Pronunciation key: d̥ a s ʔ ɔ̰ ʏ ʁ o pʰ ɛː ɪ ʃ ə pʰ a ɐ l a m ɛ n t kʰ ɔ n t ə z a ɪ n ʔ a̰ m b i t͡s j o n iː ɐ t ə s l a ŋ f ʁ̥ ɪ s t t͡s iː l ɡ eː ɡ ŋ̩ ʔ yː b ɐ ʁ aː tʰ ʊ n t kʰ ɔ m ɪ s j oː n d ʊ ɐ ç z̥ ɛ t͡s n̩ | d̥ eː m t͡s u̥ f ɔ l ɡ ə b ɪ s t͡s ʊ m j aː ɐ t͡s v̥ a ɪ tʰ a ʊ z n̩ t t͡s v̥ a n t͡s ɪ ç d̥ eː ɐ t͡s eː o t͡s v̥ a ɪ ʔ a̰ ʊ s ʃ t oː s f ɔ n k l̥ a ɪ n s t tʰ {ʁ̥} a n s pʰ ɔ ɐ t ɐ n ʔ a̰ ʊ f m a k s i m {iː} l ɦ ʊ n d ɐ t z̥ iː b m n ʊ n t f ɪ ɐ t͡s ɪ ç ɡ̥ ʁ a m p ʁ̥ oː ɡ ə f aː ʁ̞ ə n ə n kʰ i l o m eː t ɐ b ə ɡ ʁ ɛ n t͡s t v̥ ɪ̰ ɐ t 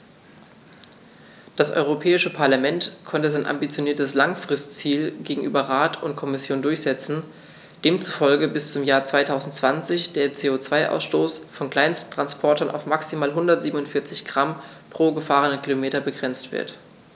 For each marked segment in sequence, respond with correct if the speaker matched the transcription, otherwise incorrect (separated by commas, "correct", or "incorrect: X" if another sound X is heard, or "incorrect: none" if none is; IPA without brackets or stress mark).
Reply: correct, incorrect: aː